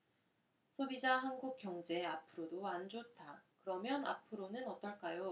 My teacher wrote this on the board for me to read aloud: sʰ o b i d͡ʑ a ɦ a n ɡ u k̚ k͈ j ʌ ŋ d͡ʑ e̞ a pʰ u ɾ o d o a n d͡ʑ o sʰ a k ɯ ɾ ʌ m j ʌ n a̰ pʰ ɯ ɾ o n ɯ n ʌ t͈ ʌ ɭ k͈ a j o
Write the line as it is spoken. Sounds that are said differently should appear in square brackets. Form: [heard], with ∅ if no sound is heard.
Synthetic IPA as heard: sʰ o b i d͡ʑ a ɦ a n ɡ u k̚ k͈ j ʌ ŋ d͡ʑ e̞ a pʰ [ɯ] ɾ o d o a n d͡ʑ o [tʰ] a k ɯ ɾ ʌ m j ʌ n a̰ pʰ ɯ ɾ o n ɯ n ʌ t͈ ʌ ɭ k͈ a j o